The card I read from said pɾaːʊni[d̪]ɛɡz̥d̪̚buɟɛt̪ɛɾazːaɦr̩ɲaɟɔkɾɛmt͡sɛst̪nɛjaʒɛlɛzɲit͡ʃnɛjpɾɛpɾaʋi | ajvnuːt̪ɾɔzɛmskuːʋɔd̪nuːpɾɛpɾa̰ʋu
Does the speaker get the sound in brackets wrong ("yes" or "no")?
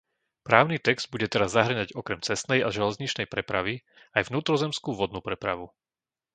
yes